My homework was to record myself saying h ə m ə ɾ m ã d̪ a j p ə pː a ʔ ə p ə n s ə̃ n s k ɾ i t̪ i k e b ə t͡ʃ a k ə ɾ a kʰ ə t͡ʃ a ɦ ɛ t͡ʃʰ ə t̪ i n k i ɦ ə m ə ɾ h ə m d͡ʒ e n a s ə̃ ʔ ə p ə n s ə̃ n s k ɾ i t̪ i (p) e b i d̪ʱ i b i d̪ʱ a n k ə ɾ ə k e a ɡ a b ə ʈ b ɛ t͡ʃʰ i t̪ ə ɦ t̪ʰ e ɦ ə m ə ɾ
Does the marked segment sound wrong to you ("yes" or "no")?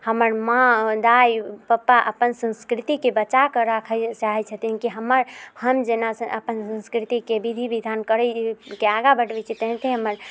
yes